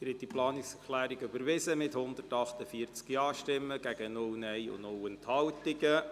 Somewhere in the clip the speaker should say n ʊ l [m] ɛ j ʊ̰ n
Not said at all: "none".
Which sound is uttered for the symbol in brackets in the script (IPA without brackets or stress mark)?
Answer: n